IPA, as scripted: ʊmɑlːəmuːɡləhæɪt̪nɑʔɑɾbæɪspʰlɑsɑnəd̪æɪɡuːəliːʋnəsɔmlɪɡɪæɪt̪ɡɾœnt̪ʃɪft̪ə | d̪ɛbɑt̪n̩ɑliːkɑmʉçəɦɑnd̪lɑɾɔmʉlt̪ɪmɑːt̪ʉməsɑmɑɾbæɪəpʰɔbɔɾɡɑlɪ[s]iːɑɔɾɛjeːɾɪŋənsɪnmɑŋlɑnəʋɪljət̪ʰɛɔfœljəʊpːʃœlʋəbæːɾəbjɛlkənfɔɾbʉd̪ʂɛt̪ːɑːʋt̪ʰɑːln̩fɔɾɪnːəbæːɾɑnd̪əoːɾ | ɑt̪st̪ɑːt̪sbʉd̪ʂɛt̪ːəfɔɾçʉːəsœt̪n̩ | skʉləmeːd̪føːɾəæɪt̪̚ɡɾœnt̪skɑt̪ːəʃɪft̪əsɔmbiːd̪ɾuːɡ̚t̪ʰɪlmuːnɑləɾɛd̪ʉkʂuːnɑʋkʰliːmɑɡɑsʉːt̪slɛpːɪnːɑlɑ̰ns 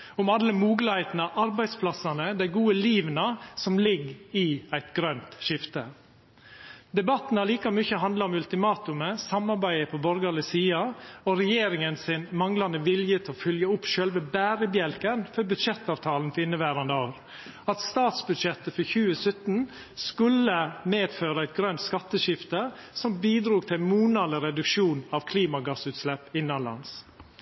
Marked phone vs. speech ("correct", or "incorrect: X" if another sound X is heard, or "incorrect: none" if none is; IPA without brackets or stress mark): correct